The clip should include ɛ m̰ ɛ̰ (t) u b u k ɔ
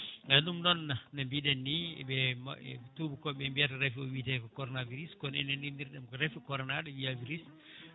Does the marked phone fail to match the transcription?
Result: no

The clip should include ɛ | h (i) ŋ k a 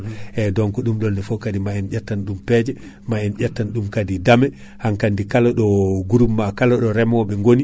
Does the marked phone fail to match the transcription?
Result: yes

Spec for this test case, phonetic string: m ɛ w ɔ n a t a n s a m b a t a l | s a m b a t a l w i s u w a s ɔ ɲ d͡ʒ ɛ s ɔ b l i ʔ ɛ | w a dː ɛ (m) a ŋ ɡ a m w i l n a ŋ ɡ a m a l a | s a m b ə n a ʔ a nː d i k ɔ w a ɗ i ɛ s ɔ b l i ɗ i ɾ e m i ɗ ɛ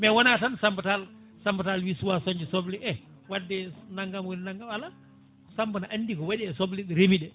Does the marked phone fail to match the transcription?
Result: yes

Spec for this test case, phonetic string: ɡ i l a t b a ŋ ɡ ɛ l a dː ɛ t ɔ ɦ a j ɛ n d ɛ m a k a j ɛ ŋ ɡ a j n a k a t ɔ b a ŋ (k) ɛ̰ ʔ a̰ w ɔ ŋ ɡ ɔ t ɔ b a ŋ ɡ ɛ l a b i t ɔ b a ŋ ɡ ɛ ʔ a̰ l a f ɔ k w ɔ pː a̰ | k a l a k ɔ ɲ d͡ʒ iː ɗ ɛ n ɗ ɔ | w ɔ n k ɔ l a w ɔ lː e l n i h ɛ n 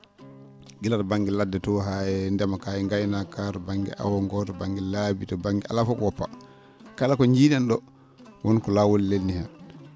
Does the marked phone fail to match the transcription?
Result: yes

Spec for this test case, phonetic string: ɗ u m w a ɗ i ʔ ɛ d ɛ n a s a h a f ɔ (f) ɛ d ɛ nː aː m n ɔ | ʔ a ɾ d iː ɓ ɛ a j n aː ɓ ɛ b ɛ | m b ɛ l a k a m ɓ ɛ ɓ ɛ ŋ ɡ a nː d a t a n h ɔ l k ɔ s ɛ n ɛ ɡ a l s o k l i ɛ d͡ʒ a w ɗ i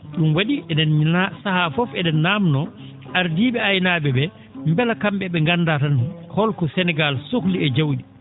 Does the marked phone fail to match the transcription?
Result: no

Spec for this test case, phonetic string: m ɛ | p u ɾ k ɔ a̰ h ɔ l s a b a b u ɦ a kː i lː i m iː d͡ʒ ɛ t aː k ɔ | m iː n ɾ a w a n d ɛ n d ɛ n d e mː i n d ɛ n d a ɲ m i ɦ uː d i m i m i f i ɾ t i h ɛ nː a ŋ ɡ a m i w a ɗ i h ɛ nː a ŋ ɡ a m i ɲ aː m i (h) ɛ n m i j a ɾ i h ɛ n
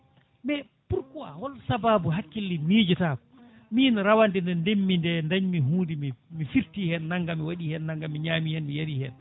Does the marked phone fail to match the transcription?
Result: no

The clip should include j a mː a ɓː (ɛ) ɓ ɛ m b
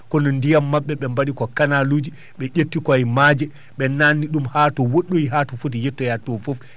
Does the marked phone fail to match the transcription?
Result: no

